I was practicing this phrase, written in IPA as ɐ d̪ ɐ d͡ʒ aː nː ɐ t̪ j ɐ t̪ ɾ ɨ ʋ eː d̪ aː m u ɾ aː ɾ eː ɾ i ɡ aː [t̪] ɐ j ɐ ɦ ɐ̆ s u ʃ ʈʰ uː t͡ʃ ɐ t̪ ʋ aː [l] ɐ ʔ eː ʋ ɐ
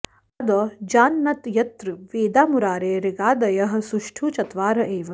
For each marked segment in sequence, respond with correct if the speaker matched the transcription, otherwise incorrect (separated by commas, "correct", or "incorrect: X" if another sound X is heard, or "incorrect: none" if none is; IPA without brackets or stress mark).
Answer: incorrect: d̪, incorrect: ɾ